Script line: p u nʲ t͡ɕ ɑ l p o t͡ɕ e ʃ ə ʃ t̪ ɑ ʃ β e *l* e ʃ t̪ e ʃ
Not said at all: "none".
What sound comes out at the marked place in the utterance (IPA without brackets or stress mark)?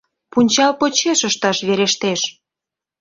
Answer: ɾ